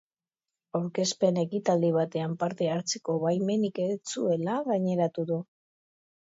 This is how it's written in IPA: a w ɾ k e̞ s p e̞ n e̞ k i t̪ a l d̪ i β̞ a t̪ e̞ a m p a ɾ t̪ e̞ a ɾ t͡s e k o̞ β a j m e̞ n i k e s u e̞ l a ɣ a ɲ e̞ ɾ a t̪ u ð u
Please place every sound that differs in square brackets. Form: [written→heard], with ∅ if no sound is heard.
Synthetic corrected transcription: a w ɾ k e̞ s p e̞ n e̞ k i t̪ a l d̪ i β̞ a t̪ e̞ a m p a ɾ t̪ e̞ a ɾ t͡s e k o̞ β a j m e̞ n i k e [s→t͡s] u e̞ l a ɣ a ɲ e̞ ɾ a t̪ u ð u